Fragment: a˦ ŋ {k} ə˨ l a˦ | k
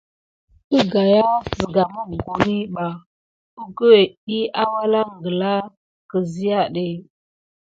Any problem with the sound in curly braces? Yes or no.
yes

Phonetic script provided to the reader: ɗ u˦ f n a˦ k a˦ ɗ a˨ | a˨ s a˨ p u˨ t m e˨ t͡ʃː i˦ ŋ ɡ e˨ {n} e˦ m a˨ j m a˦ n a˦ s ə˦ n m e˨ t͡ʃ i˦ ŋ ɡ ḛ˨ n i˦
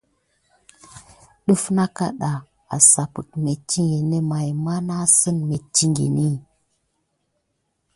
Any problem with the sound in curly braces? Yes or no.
no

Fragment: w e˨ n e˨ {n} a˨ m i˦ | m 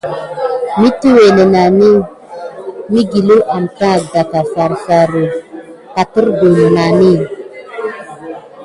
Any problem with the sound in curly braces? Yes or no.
no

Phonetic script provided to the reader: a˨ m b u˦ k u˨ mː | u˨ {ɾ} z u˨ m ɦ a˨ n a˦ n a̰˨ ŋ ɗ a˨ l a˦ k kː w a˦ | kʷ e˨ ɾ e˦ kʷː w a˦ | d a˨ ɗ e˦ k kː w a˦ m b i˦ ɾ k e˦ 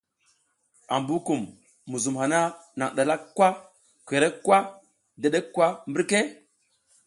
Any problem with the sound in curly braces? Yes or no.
yes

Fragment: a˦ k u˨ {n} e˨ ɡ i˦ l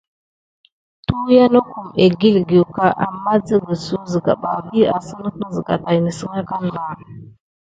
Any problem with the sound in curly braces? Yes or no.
yes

